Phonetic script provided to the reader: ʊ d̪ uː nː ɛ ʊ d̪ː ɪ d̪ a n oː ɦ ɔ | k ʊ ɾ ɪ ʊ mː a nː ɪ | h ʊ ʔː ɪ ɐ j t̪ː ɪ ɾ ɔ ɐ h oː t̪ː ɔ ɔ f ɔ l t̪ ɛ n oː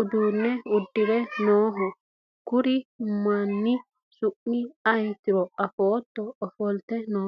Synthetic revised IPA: ʊ d̪ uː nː ɛ ʊ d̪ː ɪ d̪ ɛ n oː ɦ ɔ | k ʊ ɾ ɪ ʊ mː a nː ɪ | s ʊ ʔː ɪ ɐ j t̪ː ɪ ɾ ɔ ɐ f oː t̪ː ɔ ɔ f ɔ l t̪ ɛ n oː

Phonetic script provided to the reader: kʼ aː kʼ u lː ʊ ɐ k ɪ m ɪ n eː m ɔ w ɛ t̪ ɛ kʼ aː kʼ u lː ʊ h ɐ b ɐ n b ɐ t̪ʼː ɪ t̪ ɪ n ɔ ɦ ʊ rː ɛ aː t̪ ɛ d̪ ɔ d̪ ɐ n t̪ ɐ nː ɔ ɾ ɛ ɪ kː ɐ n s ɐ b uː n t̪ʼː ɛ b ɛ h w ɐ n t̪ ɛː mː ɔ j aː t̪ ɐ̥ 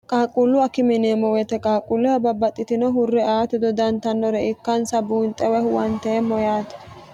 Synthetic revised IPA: kʼ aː kʼ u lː ʊ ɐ k ɪ m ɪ n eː m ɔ w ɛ t̪ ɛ kʼ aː kʼ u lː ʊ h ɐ b ɐ b ɐ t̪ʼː ɪ t̪ ɪ n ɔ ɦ ʊ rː ɛ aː t̪ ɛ d̪ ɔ d̪ ɐ n t̪ ɐ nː ɔ ɾ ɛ ɪ kː ɐ n s ɐ b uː n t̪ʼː ɛ w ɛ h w ɐ n t̪ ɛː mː ɔ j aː t̪ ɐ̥

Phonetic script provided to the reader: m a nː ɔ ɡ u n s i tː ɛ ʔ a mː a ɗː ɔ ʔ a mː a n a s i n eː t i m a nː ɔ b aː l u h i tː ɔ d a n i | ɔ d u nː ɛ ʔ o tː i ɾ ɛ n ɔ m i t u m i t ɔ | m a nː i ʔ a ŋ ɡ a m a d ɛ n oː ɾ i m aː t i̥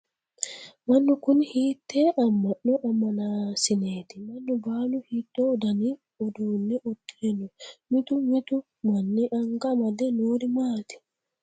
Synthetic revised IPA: m a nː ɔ k u n h i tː ɛ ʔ a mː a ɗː ɔ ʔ a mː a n a s i n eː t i m a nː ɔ b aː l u h i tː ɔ d a n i | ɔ d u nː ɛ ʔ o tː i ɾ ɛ n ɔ m i t u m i t u | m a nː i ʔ a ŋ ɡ a m a d ɛ n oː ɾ i m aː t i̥

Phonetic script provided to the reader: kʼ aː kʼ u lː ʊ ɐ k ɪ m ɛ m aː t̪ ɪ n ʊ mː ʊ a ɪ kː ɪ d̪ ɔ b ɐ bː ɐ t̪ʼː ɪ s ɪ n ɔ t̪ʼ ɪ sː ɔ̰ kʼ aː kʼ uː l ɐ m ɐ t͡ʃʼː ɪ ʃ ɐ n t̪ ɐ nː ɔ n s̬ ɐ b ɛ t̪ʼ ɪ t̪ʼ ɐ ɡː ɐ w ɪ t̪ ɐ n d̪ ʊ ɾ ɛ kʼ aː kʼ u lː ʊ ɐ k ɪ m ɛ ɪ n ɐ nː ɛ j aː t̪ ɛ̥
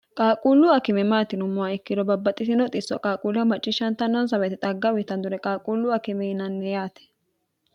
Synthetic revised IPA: kʼ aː kʼ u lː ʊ ɐ k ɪ m ɛ m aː t̪ ɪ n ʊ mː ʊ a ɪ kː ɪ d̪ ɔ b ɐ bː ɐ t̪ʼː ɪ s ɪ n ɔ t̪ʼ ɪ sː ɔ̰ kʼ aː kʼ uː l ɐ m ɐ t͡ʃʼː ɪ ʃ ɐ n t̪ ɐ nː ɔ n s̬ ɐ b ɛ t̪ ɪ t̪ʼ ɐ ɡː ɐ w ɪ t̪ ɐ n d̪ ʊ ɾ ɛ kʼ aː kʼ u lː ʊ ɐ k ɪ m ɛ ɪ n ɐ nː ɛ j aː t̪ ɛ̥

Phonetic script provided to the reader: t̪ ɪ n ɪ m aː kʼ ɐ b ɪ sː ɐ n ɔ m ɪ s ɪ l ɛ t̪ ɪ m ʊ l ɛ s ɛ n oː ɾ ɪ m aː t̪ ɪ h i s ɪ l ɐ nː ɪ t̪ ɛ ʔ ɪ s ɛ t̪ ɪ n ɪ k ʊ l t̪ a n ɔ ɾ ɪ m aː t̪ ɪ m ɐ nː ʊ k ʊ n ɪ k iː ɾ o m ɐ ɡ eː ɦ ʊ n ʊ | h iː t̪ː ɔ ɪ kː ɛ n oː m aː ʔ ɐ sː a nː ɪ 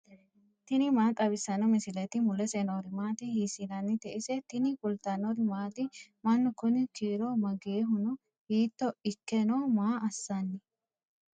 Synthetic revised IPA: t̪ ɪ n ɪ m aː kʼ ɐ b ɪ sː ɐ n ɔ m ɪ s ɪ l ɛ t̪ ɪ m ʊ l ɛ s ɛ n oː ɾ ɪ m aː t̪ ɪ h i s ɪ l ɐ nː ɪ t̪ ɛ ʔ ɪ s ɛ t̪ ɪ n ɪ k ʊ l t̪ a n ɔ ɾ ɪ m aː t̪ ɪ m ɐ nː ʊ k ʊ n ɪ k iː ɾ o m ɐ ɡ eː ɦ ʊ n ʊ | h iː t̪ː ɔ ɪ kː ɛ n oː m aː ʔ ɐ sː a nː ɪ

